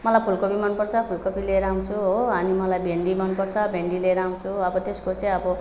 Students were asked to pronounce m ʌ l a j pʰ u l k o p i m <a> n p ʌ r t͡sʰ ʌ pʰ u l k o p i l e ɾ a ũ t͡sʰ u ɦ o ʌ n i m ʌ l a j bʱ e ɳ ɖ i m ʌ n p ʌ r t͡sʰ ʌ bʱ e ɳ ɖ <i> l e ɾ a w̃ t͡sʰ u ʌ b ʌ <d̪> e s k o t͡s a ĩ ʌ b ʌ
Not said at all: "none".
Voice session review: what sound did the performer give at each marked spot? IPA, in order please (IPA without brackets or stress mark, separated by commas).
ʌ, i, t̪